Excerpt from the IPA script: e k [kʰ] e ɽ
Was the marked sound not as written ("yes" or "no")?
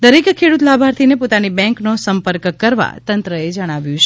no